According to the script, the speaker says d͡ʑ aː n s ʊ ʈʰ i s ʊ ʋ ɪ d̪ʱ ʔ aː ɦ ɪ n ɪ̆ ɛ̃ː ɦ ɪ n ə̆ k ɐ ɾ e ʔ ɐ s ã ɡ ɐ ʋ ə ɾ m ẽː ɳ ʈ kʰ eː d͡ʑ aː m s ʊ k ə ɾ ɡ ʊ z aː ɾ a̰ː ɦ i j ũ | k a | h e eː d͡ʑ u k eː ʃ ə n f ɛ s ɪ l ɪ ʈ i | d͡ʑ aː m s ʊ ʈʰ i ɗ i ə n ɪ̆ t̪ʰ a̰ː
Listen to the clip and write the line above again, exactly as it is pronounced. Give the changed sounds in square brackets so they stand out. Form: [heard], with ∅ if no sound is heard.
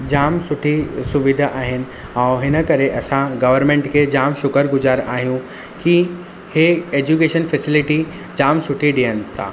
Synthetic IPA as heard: d͡ʑ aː [m] s ʊ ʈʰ i s ʊ ʋ ɪ d̪ʱ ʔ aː ɦ ɪ n ɪ̆ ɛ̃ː ɦ ɪ n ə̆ k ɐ ɾ e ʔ ɐ s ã ɡ ɐ ʋ ə ɾ m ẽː ɳ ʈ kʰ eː d͡ʑ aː m [ʃ] ʊ k ə ɾ ɡ ʊ z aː ɾ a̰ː ɦ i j ũ | k [i] | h e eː d͡ʑ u k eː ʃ ə n f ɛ s ɪ l ɪ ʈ i | d͡ʑ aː m s ʊ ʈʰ i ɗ i ə n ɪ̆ t̪ʰ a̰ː